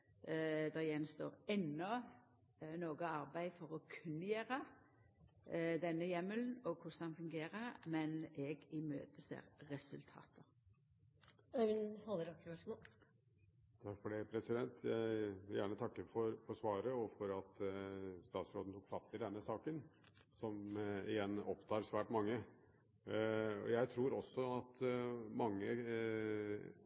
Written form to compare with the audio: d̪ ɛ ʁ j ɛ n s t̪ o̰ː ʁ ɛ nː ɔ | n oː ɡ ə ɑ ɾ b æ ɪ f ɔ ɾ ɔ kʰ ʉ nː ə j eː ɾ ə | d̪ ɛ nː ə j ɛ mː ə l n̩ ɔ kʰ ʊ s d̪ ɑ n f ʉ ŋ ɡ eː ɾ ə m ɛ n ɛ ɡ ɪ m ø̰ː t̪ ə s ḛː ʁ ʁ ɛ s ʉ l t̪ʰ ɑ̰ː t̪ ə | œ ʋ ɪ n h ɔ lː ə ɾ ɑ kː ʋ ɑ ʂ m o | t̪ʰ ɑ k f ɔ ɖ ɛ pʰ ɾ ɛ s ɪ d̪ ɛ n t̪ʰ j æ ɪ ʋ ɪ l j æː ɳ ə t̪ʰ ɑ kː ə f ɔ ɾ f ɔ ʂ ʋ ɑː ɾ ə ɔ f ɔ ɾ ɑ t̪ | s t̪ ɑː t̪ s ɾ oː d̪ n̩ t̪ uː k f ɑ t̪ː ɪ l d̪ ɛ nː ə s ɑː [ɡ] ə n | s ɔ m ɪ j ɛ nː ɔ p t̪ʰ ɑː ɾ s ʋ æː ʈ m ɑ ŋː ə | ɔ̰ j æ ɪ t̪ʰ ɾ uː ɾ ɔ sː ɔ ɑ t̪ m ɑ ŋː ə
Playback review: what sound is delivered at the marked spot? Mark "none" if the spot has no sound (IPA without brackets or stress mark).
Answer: k